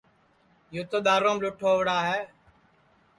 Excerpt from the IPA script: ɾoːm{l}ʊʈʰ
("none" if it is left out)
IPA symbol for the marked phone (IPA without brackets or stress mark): l